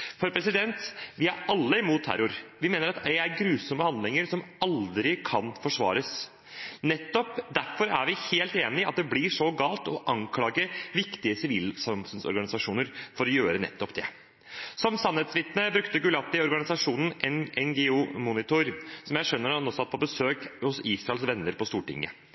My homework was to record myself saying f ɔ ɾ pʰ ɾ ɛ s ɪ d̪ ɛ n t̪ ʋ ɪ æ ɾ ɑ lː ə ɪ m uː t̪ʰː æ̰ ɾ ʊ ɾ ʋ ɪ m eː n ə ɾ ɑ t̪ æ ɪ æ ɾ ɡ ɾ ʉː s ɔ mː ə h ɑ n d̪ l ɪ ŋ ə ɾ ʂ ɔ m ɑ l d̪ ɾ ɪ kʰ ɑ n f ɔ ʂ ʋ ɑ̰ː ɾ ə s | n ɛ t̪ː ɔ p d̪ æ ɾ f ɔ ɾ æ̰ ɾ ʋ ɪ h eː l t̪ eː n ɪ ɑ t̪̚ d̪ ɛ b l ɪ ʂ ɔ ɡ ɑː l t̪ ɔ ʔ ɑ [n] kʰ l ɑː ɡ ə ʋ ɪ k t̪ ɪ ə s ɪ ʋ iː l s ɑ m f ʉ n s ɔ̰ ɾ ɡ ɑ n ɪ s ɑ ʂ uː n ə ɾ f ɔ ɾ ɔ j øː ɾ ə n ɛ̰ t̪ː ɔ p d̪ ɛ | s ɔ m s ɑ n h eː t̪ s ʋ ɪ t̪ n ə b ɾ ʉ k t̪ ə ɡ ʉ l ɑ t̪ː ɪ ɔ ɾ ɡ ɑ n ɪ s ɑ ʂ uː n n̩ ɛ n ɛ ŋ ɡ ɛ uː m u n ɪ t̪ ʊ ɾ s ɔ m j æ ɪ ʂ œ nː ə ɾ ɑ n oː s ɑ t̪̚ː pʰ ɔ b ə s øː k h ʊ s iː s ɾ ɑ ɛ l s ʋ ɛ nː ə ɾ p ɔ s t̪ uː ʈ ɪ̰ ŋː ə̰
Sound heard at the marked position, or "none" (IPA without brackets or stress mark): ŋ